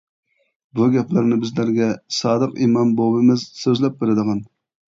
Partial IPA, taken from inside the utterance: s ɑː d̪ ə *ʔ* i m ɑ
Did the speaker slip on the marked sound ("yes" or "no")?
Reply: yes